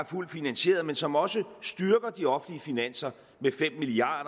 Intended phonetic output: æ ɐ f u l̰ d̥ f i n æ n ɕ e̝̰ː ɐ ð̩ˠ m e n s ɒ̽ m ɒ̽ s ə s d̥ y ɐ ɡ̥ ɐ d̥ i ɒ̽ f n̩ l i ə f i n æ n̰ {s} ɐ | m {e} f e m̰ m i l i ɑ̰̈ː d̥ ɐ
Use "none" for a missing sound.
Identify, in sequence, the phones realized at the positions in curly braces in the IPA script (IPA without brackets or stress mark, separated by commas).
s, e